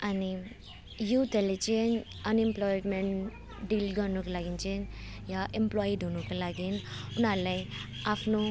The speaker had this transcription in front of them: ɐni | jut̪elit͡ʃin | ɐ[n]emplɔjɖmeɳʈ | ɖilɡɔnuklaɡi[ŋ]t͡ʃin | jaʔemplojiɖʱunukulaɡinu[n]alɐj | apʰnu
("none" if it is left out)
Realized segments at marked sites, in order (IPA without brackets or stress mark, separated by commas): n, n, n